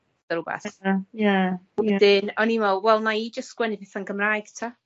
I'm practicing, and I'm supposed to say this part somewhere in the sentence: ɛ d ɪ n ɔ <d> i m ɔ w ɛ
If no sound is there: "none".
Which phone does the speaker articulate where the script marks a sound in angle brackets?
n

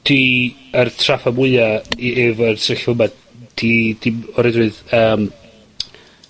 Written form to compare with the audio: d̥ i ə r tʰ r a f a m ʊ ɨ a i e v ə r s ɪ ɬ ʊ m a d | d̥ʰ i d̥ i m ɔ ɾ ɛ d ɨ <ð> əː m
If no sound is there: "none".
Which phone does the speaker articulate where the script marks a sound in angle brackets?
ð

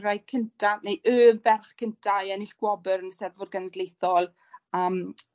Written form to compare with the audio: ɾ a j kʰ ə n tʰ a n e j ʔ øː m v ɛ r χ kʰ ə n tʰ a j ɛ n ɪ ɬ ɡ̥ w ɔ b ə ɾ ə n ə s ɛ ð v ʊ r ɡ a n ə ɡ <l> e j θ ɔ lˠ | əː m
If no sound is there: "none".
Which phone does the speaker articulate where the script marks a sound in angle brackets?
l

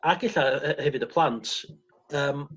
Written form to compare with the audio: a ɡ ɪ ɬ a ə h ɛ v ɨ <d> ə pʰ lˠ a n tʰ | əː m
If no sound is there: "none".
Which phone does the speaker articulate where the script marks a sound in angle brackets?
d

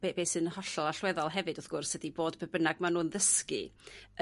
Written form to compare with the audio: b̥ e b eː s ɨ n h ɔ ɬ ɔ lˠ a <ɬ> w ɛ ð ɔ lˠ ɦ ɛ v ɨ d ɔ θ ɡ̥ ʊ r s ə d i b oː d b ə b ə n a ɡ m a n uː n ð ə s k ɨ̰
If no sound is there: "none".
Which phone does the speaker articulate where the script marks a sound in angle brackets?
ɬ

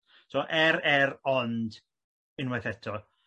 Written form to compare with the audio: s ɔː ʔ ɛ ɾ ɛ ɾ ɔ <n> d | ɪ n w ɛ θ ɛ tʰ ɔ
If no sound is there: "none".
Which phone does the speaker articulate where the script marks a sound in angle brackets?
n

